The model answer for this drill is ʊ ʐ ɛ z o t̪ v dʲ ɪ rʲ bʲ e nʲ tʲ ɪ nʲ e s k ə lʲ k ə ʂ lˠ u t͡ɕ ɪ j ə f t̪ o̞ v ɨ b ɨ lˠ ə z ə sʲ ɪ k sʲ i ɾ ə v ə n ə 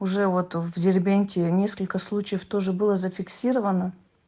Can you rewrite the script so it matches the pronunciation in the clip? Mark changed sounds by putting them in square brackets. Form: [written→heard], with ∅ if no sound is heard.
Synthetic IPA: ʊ ʐ ɛ [z→v] o t̪ v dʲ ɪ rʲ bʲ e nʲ tʲ ɪ nʲ e s k ə lʲ k ə [ʂ→s] lˠ u t͡ɕ ɪ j ə f t̪ o̞ [v→ʐ] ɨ b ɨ lˠ ə z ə [sʲ→fʲ] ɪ k sʲ i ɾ ə v ə n ə